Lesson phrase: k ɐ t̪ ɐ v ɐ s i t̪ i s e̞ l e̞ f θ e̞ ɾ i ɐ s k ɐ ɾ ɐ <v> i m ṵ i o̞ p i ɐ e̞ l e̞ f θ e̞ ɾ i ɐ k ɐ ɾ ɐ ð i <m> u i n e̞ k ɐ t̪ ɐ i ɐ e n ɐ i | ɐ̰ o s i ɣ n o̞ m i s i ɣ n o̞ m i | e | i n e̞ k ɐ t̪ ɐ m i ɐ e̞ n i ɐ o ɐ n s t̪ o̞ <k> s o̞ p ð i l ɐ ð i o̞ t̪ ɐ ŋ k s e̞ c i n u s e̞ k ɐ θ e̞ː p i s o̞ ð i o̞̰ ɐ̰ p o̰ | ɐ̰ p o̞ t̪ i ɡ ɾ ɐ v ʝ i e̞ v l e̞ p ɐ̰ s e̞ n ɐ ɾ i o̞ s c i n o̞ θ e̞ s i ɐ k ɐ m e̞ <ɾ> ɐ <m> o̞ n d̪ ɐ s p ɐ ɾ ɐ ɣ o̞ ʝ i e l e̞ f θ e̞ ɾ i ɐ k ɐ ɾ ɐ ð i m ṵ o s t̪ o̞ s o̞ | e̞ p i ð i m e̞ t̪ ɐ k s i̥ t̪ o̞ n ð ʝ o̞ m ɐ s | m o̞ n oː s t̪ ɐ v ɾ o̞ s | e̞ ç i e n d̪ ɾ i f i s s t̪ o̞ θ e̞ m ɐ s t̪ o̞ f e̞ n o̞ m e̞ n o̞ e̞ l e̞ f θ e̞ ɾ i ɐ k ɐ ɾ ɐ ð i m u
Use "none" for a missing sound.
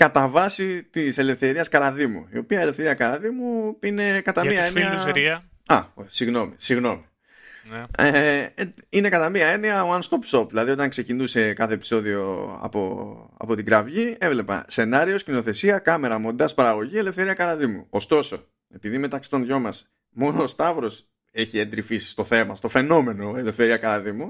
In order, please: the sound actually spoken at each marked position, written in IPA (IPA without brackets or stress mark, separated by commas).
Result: ð, m, p, ɾ, m